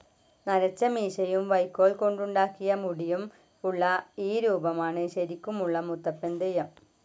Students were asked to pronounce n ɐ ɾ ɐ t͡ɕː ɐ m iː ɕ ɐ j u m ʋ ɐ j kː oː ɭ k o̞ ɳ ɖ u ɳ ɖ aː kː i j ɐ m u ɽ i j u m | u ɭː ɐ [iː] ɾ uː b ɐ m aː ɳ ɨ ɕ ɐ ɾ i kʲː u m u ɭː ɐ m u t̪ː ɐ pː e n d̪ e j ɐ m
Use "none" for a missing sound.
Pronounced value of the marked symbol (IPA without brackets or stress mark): iː